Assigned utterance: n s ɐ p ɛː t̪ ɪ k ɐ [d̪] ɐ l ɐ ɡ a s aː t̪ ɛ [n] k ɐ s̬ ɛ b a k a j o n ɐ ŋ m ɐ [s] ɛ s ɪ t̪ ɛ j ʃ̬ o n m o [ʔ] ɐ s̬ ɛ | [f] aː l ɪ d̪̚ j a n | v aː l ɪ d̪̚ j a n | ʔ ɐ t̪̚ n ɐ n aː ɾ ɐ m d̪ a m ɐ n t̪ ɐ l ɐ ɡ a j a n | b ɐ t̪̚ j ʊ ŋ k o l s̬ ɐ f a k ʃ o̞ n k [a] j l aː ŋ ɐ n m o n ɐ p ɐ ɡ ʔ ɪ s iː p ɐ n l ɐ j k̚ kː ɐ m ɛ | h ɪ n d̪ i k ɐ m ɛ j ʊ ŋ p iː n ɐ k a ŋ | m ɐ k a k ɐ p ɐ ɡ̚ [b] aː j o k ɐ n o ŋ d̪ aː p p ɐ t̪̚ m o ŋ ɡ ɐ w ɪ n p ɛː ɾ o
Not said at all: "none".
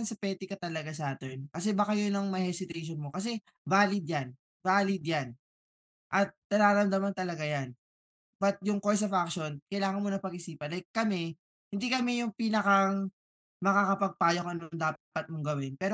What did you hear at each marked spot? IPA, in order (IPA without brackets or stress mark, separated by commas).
t̪, n, h, k, v, ɐ, p